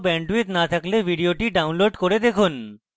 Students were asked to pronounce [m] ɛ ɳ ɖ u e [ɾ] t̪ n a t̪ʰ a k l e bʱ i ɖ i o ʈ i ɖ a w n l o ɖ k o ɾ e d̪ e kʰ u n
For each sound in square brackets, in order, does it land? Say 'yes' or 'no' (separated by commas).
no, no